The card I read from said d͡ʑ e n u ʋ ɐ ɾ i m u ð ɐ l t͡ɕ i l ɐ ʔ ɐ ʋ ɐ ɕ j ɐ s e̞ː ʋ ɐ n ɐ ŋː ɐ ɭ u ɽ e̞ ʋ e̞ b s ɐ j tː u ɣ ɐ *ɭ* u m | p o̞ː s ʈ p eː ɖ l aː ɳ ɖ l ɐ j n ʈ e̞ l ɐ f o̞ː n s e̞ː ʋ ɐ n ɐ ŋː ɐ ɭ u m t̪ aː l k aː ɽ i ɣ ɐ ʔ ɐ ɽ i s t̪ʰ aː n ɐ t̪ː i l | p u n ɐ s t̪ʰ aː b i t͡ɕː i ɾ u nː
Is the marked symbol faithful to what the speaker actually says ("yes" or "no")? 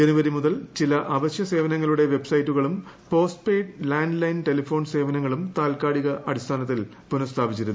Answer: yes